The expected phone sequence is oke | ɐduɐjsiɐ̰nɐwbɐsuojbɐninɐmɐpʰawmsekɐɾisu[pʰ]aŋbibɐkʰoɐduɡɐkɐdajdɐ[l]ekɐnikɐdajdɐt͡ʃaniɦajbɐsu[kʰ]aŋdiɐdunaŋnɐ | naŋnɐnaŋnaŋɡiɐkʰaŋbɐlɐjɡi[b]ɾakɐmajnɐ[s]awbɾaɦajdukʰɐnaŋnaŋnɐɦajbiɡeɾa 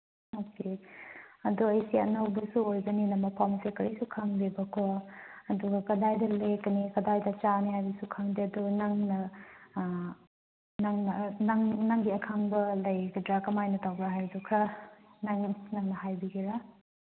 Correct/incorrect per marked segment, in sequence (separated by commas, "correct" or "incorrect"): incorrect, correct, correct, incorrect, incorrect